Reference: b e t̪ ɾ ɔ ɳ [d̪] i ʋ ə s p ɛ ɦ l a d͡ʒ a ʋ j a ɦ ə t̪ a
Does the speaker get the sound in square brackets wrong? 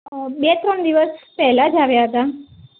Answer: no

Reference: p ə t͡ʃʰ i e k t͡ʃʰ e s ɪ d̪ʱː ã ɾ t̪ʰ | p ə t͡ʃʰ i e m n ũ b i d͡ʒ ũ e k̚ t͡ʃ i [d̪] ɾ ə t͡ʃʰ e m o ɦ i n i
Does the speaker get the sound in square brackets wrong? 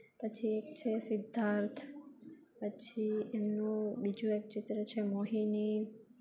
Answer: yes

